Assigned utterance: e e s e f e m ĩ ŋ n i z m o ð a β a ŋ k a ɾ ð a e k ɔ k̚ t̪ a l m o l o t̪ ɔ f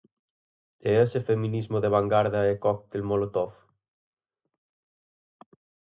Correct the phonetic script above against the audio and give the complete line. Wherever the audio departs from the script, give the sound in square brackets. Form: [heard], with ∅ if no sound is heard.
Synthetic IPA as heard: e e s e f e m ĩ [∅] n i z m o ð [e] β a ŋ [ɡ] a ɾ ð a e k ɔ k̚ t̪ [e] l m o l o t̪ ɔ f